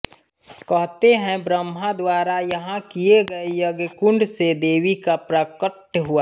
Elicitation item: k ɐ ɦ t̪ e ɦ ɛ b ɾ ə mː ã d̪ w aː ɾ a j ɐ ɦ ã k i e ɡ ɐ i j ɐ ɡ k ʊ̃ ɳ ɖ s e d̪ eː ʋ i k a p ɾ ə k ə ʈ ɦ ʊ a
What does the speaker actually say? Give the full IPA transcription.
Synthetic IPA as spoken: k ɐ ɦ t̪ e ɦ ɛ̃ b ɾ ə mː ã d̪ w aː ɾ a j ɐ ɦ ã k i e ɡ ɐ e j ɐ ɡ k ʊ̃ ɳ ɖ s e d̪ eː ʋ i k a p ɾ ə k ə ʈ ɦ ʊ a